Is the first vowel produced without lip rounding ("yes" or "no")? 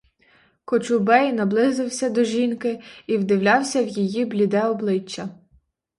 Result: no